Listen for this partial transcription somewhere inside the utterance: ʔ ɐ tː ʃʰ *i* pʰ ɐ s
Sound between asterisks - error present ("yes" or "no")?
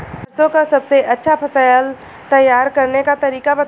yes